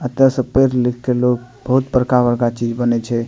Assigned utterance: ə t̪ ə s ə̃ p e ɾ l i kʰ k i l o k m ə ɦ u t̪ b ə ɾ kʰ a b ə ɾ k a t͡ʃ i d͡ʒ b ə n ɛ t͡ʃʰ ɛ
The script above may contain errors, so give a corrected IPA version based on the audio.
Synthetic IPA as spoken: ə t̪ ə s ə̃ p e ɾ l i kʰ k e l o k b ə ɦ u t̪ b ə ɾ k a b ə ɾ k a t͡ʃ i d͡ʒ b ə n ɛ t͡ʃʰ ɛ